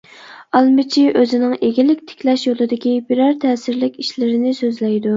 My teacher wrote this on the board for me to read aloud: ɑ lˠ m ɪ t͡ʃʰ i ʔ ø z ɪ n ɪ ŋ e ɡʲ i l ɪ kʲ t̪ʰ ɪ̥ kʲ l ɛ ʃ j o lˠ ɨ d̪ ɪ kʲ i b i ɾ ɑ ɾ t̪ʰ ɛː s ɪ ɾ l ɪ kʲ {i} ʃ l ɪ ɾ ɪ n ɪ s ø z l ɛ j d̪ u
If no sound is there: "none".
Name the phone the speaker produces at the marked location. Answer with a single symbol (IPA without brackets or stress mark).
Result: i